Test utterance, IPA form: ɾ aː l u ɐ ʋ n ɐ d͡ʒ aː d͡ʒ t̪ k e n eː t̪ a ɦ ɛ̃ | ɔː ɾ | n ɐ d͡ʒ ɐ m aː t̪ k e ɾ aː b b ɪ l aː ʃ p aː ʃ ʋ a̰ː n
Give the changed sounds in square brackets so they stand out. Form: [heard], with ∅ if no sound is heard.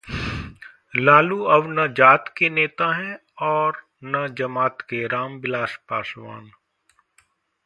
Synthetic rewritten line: [l] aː l u ɐ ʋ n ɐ d͡ʒ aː [∅] t̪ k e n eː t̪ a ɦ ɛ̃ | ɔː ɾ | n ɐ d͡ʒ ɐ m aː t̪ k e ɾ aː [m] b ɪ l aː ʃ p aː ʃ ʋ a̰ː n